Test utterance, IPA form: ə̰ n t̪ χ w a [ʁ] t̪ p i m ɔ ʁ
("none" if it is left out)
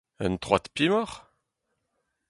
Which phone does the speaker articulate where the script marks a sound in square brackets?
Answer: none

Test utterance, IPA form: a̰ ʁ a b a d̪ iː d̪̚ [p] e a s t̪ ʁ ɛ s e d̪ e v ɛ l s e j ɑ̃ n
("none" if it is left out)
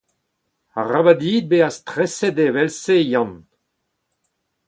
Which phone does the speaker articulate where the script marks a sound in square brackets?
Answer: b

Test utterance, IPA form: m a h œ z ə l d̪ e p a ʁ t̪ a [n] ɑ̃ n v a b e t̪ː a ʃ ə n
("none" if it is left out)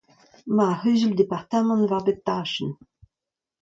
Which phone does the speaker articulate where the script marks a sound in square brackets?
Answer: m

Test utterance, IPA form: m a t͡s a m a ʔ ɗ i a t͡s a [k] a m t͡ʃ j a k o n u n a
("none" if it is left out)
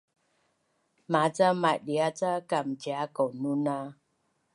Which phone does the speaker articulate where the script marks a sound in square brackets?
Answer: k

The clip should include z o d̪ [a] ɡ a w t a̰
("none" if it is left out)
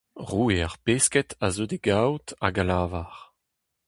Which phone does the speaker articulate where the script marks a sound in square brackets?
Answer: e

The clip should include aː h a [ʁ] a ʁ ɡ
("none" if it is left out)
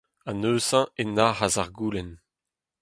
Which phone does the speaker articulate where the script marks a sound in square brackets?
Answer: z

